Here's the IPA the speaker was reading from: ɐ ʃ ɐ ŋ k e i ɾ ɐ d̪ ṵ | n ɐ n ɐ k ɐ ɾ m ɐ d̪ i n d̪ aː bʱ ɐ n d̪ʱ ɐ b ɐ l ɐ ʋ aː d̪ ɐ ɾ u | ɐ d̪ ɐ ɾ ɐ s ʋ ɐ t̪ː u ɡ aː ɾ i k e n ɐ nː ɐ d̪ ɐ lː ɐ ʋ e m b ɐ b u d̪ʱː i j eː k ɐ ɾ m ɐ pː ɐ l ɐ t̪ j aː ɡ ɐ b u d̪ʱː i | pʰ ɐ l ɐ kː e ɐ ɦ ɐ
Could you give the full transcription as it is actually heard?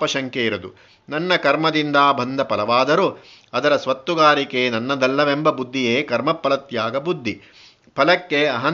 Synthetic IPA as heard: ɐ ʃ ɐ ŋ k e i ɾ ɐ d̪ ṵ | n ɐ nː ɐ k ɐ ɾ m ɐ d̪ i n d̪ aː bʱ ɐ n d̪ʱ ɐ p ɐ l ɐ ʋ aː d̪ ɐ ɾ u | ɐ d̪ ɐ ɾ ɐ s ʋ ɐ t̪ː u ɡ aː ɾ i k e n ɐ nː ɐ d̪ ɐ lː ɐ ʋ e m b ɐ b u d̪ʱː i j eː k ɐ ɾ m ɐ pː ɐ l ɐ t̪ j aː ɡ ɐ b u d̪ʱː i | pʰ ɐ l ɐ kː e ɐ ɦ ɐ